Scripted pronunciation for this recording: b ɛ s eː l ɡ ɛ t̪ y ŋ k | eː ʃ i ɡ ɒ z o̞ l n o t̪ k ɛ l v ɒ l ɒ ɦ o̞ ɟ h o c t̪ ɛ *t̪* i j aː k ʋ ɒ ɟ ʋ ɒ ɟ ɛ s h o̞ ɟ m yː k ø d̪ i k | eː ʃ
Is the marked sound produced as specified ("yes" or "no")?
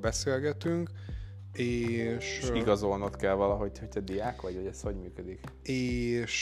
no